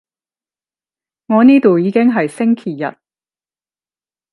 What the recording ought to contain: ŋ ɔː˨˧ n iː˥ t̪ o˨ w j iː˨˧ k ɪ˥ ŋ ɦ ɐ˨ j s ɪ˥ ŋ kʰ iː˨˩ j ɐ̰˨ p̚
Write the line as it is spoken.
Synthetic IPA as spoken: ŋ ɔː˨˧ n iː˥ t̪ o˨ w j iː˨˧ k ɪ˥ ŋ ɦ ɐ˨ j s ɪ˥ ŋ kʰ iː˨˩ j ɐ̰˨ t̚